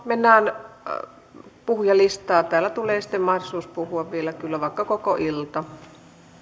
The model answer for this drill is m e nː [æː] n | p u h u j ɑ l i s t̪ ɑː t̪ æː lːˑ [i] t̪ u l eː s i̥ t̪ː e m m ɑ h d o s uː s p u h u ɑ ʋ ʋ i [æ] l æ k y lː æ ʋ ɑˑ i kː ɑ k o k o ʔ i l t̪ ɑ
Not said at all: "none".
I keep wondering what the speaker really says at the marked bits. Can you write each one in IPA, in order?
æː, æ, e

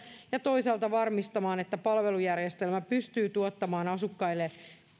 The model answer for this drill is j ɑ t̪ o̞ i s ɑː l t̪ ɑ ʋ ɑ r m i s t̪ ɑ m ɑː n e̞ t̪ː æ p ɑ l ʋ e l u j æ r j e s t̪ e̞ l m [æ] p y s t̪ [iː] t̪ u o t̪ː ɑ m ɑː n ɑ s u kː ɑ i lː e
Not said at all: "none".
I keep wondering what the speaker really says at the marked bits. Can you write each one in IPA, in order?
æ, yː

